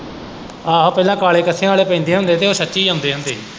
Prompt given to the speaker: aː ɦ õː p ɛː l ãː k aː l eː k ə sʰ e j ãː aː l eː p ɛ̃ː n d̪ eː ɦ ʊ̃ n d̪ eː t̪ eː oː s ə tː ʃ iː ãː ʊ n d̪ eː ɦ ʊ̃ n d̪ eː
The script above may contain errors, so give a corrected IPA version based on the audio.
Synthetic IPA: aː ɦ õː p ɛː l ãː k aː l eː k ə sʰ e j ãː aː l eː p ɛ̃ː n d̪ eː ɦ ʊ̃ n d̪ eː t̪ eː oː s ə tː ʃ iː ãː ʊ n d̪ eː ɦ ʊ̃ n d̪ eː